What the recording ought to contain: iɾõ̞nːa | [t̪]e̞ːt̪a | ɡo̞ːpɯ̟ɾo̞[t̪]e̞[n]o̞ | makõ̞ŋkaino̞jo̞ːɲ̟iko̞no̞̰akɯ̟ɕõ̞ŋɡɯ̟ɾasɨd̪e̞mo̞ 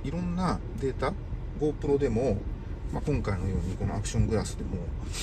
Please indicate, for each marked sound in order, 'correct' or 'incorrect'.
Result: incorrect: d̪, incorrect: d̪, incorrect: m

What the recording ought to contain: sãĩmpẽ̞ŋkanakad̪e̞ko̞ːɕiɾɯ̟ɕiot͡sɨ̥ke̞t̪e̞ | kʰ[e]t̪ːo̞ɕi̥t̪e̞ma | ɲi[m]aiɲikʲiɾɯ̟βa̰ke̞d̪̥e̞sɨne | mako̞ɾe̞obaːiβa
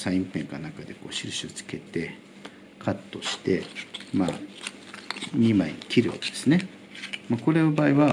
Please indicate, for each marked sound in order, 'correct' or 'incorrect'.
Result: incorrect: a, correct

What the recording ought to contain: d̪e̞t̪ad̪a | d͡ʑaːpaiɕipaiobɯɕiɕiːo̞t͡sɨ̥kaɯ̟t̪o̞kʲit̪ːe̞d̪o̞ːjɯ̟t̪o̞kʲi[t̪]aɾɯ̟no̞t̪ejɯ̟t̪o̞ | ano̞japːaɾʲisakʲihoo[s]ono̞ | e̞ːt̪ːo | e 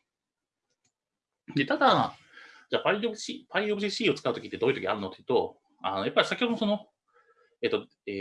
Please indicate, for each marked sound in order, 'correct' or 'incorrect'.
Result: incorrect: none, correct

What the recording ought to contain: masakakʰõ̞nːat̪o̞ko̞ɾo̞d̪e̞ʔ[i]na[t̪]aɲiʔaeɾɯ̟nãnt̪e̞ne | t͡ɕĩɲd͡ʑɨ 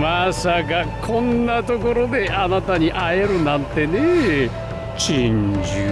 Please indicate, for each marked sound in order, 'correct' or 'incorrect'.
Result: incorrect: a, correct

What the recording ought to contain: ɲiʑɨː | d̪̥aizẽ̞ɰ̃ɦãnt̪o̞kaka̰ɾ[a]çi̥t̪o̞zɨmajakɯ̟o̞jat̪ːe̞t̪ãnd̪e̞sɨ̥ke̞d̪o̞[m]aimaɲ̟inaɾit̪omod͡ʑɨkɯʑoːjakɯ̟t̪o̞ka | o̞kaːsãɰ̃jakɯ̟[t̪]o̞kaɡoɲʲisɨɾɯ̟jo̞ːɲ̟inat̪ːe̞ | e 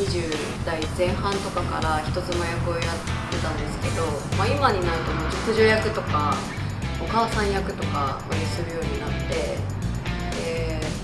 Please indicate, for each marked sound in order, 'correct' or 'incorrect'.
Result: correct, correct, correct

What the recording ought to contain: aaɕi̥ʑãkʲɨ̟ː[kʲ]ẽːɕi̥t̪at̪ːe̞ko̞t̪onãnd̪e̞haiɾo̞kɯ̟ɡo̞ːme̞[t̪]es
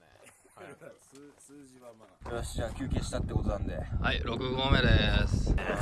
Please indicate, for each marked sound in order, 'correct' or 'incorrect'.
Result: correct, incorrect: d̪

